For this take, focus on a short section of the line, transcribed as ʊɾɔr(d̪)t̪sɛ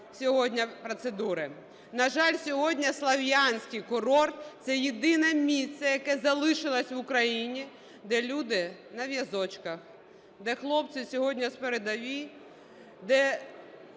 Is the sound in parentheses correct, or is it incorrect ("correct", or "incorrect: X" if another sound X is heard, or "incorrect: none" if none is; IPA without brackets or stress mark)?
incorrect: t̪